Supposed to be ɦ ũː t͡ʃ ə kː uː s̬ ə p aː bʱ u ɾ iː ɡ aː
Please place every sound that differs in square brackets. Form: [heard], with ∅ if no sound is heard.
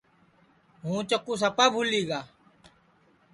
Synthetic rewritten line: ɦ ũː t͡ʃ ə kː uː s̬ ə p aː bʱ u [l] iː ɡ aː